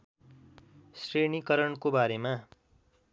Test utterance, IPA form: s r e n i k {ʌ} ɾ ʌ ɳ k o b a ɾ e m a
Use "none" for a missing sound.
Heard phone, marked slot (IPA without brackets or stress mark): ʌ